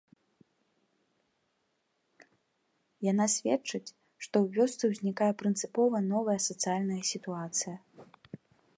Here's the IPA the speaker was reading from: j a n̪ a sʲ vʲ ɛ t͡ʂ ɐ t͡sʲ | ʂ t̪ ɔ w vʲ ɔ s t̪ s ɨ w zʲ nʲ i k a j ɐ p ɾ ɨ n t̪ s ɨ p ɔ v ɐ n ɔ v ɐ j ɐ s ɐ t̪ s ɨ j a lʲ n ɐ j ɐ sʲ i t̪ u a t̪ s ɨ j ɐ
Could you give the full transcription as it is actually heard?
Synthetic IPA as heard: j a n̪ a sʲ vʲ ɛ t͡ʂ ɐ t͡sʲ | ʂ t̪ ɔ w vʲ ɔ s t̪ s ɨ w zʲ nʲ i k a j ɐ p ɾ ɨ n t̪ s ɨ p ɔ v ɐ n ɔ v ɐ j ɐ s ɐ t̪ s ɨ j a lʲ n ɐ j ɐ sʲ i t̪ u a t̪ s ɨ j ɐ